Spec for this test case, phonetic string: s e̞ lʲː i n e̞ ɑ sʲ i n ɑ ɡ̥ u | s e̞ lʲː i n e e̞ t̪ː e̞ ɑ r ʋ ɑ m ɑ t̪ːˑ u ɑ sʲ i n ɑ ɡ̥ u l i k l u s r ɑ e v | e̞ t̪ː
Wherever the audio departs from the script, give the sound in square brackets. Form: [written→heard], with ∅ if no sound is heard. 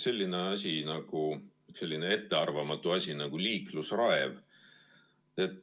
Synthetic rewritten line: s e̞ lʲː i n e̞ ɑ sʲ i n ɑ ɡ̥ u | s e̞ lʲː i n e e̞ t̪ː e̞ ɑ r [ʋ→v] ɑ m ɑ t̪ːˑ u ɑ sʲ i n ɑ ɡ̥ u l [i→iː] k l u s r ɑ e v | e̞ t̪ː